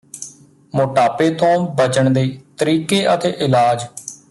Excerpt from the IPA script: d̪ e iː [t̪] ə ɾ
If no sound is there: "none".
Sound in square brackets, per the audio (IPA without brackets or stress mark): t̪